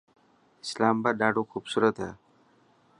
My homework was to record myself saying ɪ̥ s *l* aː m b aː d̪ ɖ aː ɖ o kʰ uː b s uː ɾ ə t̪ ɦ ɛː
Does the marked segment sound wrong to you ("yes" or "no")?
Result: no